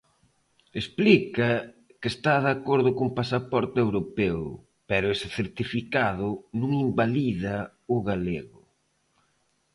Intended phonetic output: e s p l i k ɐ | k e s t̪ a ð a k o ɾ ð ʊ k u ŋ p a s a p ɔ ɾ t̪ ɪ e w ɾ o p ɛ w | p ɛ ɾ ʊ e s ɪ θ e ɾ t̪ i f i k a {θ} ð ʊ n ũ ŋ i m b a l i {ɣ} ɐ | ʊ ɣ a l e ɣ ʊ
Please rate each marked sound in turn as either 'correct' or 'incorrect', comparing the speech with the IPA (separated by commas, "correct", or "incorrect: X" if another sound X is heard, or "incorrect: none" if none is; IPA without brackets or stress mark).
incorrect: none, incorrect: ð